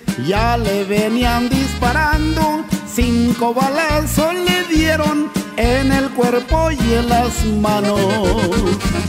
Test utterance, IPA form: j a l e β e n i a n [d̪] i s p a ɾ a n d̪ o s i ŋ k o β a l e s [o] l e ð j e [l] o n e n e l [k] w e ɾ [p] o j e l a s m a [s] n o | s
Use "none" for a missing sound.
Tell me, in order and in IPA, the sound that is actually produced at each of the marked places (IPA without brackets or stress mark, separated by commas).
d̪, o, ɾ, k, p, none